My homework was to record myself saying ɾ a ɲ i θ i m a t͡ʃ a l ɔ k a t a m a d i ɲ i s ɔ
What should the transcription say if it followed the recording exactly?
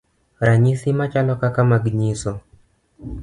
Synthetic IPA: ɾ a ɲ i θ i m a t͡ʃ a l ɔ k a k a m a ɡ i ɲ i s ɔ